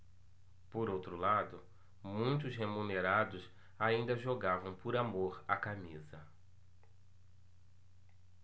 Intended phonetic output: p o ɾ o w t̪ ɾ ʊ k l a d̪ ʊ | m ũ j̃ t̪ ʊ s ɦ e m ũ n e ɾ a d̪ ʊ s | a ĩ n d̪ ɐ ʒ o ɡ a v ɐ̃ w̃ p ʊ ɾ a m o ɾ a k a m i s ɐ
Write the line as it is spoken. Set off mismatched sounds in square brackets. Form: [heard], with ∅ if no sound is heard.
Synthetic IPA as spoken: p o ɾ o w t̪ ɾ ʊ [∅] l a d̪ ʊ | m ũ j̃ t̪ ʊ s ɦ e m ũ n e ɾ a d̪ ʊ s | a ĩ n d̪ ɐ ʒ o ɡ a v ɐ̃ w̃ p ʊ ɾ a m o ɾ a k a m i [z] ɐ